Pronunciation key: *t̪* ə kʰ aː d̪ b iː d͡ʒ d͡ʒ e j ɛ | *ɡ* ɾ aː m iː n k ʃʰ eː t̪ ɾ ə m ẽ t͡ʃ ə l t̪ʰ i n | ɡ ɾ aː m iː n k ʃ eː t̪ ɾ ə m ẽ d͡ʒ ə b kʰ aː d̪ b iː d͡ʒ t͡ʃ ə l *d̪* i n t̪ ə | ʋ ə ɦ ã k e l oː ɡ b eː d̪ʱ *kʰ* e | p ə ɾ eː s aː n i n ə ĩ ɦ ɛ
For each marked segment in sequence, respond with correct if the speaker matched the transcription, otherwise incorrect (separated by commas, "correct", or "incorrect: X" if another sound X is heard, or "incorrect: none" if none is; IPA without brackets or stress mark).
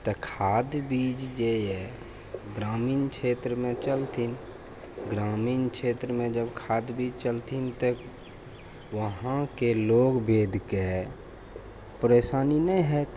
correct, correct, incorrect: t̪, incorrect: k